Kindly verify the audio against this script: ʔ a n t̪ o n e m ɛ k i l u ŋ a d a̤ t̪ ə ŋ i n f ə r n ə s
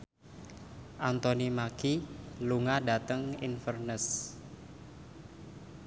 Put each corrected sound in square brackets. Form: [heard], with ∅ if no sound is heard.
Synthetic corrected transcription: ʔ a n t̪ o n [i] m [a] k i l u ŋ a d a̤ t̪ ə ŋ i n f ə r n ə s